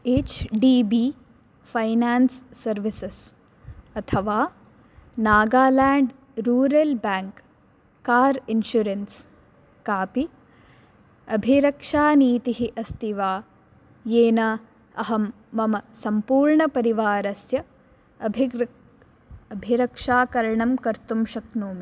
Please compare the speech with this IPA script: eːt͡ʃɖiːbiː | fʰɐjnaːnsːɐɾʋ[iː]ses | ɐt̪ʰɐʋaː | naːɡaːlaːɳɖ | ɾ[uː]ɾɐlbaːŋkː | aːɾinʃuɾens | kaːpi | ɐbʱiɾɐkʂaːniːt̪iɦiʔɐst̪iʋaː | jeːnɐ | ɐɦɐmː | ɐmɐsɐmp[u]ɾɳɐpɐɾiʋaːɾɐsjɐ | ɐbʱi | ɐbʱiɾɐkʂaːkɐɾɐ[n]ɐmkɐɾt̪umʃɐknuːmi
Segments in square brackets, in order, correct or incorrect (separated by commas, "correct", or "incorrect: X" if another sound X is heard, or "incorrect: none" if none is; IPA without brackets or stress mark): incorrect: i, correct, incorrect: uː, incorrect: ɳ